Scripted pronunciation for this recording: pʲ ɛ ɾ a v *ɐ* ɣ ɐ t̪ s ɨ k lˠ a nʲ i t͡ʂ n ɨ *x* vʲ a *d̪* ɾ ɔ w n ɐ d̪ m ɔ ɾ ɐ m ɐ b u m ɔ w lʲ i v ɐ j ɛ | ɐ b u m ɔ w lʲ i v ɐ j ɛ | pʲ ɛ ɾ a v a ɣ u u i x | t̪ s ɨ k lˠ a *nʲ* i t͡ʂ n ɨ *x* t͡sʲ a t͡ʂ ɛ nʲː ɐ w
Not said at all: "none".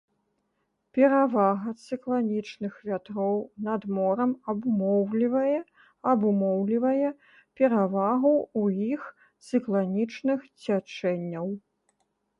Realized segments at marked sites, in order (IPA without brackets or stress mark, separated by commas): a, x, t̪, nʲ, x